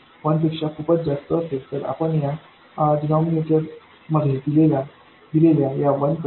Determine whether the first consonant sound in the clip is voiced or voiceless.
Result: voiced